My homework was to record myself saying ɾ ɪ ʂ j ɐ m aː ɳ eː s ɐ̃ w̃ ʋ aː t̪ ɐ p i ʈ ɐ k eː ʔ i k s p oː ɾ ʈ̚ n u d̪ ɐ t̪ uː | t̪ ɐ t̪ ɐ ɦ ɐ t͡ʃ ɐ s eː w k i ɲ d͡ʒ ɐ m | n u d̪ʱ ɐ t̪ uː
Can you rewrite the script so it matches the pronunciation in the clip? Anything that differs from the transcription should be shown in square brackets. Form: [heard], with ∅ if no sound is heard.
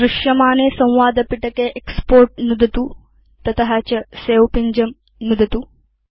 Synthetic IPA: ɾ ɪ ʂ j ɐ m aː [n] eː s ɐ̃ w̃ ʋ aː [d̪] ɐ p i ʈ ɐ k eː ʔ [e] k s p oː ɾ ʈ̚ n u d̪ ɐ t̪ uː | t̪ ɐ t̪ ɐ ɦ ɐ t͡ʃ ɐ s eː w [p] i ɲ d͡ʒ ɐ m | n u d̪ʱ ɐ t̪ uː